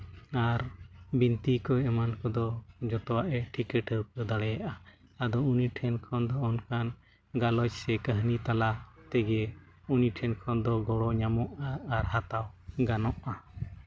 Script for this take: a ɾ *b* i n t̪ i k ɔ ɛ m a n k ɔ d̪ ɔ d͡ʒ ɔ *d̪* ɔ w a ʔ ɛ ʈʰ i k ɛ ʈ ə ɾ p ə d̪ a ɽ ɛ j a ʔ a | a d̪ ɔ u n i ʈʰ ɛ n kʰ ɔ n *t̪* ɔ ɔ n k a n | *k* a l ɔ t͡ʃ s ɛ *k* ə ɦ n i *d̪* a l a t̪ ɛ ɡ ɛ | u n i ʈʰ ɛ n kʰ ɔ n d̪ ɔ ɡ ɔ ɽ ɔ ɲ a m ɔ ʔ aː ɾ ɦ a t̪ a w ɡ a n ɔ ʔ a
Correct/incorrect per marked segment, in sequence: correct, incorrect: t̪, incorrect: d̪, incorrect: ɡ, correct, incorrect: t̪

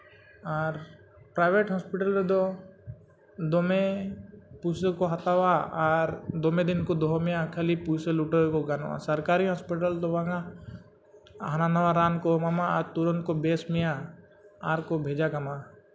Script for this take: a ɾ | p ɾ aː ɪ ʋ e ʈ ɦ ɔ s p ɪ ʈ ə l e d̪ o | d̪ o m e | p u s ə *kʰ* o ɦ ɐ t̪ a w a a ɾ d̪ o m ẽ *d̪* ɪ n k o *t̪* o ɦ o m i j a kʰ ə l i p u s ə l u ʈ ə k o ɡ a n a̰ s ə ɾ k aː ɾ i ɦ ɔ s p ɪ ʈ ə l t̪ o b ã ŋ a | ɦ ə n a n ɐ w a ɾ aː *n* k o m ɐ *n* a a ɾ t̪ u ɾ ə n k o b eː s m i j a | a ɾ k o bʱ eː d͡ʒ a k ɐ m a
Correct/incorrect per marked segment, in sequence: incorrect: k, correct, incorrect: d̪, correct, incorrect: m

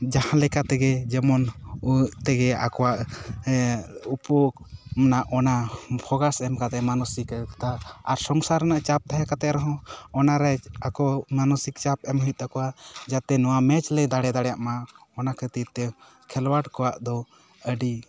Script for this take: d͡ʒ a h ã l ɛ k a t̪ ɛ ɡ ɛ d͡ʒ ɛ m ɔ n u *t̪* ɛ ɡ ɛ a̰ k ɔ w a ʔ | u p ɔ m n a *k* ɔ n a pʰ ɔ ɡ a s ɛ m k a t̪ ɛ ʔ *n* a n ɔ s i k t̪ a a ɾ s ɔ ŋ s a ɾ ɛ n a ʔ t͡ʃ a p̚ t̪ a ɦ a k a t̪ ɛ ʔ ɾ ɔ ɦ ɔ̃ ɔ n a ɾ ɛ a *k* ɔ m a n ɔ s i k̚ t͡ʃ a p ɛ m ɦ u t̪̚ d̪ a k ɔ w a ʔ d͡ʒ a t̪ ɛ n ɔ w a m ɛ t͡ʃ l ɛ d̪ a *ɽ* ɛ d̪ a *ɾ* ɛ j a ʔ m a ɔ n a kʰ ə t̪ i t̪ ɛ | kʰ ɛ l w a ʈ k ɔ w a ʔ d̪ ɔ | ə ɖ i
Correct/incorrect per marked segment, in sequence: correct, incorrect: ʔ, incorrect: m, correct, correct, incorrect: ɽ

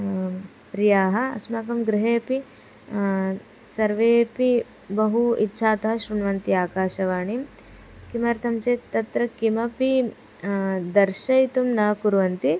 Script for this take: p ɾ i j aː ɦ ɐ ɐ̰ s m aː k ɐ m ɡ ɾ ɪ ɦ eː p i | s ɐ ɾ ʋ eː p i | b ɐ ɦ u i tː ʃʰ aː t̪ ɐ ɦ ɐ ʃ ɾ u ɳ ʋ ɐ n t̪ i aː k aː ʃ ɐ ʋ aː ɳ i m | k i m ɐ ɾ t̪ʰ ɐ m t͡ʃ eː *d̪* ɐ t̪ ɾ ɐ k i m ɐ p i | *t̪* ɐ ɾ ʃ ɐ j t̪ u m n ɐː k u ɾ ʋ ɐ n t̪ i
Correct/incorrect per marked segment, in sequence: incorrect: t̪, incorrect: d̪

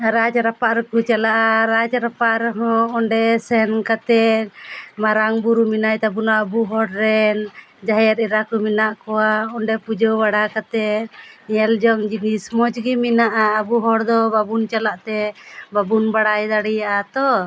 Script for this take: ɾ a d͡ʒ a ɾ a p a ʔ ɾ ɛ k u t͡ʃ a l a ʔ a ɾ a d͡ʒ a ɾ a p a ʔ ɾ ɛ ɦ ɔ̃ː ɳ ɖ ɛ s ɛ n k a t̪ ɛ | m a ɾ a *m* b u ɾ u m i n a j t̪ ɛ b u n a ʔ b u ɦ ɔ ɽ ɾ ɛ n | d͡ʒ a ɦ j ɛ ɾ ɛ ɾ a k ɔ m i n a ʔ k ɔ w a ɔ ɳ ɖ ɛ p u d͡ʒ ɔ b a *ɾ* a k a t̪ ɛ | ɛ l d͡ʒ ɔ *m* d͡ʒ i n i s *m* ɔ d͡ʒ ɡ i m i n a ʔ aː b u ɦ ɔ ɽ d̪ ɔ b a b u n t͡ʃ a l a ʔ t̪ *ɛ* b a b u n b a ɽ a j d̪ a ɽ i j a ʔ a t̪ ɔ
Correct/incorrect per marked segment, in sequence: incorrect: ŋ, incorrect: ɽ, incorrect: ŋ, correct, correct

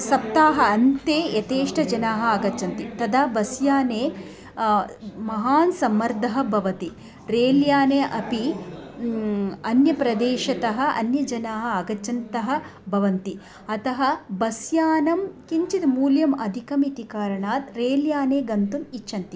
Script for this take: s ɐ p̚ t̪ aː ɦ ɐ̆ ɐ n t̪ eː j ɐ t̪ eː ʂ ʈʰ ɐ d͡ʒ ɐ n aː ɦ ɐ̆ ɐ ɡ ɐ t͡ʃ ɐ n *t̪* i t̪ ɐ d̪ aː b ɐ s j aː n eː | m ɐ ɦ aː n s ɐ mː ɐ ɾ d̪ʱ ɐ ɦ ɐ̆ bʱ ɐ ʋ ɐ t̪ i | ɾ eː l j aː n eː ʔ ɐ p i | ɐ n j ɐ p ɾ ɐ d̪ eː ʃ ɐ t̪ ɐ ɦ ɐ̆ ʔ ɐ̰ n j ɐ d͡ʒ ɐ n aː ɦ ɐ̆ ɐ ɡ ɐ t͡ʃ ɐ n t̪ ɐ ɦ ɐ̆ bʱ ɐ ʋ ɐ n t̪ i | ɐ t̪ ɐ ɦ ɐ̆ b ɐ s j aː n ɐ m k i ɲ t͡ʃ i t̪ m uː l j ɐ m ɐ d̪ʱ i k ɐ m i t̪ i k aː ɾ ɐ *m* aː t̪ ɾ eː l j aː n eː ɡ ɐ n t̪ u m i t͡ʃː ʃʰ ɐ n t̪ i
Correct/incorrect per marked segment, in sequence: correct, incorrect: ɳ

